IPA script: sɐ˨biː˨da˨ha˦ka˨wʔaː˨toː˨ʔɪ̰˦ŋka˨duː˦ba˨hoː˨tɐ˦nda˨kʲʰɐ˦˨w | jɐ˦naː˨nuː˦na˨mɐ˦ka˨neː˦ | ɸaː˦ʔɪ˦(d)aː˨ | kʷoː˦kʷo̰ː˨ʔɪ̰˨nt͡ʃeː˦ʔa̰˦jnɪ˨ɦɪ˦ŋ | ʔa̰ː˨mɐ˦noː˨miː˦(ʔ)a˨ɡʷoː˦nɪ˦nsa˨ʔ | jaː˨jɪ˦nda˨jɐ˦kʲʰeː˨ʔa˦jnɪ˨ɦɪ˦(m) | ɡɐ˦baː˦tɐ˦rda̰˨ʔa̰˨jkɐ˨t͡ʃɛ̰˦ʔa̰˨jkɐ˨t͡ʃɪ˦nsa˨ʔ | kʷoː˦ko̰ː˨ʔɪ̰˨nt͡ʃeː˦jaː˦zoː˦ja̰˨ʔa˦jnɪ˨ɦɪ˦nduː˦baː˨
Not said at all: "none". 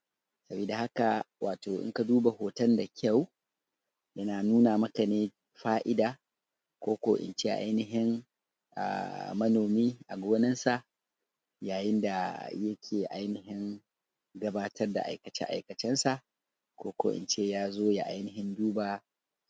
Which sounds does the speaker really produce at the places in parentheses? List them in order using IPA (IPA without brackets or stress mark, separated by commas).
d, ʔ, ŋ